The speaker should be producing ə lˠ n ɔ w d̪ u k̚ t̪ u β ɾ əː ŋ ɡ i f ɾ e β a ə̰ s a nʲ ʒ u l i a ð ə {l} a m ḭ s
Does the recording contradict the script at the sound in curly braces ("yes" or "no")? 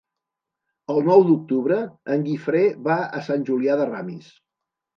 yes